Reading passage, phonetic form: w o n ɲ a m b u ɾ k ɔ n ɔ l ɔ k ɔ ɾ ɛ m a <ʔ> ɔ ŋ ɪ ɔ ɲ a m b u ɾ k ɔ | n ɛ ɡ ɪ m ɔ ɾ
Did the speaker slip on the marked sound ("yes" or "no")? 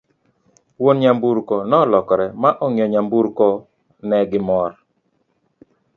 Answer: no